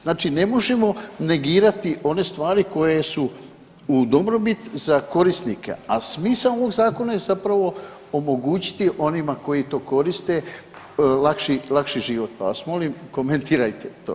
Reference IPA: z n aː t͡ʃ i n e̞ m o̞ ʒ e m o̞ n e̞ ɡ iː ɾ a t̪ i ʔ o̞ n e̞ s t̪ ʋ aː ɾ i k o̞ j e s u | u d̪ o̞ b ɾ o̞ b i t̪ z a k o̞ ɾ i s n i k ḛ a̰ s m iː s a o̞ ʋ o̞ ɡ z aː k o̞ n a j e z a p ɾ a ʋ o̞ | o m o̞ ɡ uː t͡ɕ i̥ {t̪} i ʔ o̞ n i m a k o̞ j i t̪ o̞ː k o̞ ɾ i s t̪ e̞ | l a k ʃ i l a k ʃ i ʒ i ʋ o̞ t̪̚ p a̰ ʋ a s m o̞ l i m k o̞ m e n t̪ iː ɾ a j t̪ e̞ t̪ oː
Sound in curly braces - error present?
no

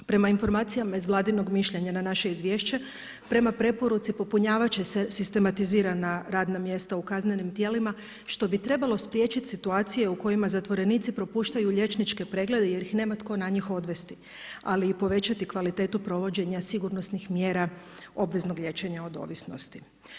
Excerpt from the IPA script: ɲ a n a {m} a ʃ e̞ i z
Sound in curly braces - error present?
yes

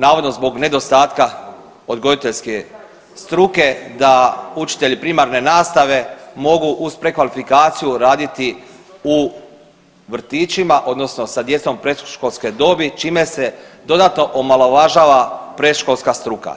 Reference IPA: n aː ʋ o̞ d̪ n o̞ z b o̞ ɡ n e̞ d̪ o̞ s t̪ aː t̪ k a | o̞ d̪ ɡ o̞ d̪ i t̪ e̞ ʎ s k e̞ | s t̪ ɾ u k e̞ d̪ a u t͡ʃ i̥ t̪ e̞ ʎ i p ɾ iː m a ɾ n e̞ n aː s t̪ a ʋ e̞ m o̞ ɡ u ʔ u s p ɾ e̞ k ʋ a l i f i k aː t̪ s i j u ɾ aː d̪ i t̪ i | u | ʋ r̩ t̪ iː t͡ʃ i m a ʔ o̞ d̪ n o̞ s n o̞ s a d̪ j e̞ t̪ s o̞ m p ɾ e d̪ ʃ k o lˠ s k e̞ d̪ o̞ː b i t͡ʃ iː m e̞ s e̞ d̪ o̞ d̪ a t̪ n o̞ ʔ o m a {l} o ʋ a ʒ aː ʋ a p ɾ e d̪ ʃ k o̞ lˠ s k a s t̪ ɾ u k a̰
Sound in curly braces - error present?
no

